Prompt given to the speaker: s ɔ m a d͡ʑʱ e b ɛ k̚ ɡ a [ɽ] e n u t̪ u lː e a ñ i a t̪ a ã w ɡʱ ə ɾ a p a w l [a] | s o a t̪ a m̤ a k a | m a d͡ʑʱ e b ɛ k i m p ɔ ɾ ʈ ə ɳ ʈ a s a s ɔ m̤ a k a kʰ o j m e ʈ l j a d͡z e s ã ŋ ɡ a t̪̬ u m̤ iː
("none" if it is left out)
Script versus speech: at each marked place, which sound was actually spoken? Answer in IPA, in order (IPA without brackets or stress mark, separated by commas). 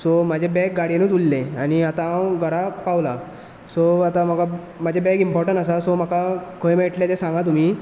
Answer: ɽ, a